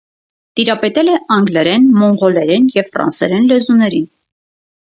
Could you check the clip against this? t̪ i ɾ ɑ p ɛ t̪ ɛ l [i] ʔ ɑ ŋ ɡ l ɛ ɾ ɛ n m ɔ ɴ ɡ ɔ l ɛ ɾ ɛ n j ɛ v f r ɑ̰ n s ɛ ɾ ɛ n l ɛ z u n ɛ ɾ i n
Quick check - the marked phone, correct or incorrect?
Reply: incorrect